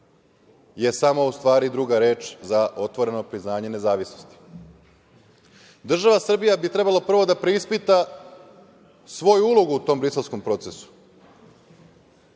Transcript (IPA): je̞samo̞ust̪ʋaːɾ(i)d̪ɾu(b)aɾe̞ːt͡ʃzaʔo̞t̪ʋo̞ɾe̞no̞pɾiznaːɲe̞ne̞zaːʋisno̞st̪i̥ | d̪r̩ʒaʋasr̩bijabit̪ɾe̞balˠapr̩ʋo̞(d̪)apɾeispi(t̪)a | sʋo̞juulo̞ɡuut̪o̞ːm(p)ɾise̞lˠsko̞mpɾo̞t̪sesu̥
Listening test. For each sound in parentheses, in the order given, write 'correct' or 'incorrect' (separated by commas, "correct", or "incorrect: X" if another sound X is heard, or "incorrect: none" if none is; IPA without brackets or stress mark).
correct, incorrect: ɡ, correct, correct, incorrect: b